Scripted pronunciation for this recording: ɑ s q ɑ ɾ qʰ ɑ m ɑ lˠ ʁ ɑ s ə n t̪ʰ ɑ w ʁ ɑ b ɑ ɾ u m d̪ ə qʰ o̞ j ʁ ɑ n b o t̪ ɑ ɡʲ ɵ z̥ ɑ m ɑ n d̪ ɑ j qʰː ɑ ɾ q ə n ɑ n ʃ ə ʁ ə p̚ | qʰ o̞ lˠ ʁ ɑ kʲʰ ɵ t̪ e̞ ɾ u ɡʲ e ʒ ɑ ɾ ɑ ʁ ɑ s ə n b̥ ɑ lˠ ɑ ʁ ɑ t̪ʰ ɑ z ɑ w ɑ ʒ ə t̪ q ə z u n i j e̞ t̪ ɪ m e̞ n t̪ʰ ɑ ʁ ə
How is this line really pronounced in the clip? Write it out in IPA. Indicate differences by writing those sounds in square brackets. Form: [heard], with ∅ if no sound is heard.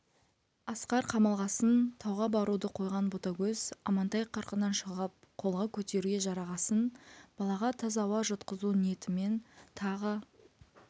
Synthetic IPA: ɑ s q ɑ ɾ qʰ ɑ m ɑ lˠ ʁ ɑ s ə n t̪ʰ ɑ w ʁ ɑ b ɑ ɾ u [∅] d̪ ə qʰ o̞ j ʁ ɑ n b o t̪ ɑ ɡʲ ɵ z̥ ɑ m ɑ n [t̪] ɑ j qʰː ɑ ɾ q ə n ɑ n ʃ ə ʁ ə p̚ | qʰ o̞ lˠ ʁ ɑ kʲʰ ɵ t̪ e̞ ɾ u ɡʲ e ʒ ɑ ɾ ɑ ʁ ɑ s ə n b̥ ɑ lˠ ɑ ʁ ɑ t̪ʰ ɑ z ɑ w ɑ ʒ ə t̪ q ə z u n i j e̞ t̪ ɪ m e̞ n t̪ʰ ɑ ʁ ə